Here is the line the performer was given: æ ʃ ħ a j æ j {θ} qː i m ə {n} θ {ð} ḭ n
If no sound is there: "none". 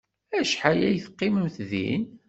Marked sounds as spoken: θ, m, ð

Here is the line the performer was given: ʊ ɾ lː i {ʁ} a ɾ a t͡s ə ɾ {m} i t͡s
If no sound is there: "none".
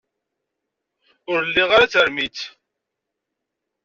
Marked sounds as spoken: ʁ, m

